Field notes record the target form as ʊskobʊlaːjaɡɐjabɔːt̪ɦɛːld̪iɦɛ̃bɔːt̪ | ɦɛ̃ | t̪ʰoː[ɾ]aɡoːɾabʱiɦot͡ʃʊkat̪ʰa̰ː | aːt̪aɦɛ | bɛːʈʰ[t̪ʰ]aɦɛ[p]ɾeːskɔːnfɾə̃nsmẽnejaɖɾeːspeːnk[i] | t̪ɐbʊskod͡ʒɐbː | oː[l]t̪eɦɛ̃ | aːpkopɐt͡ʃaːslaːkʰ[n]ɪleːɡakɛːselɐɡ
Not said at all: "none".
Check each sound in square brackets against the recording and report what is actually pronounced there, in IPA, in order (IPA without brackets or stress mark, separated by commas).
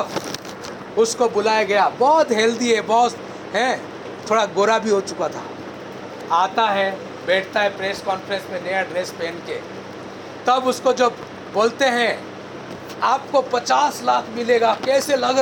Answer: ɽ, t̪, p, e, l, m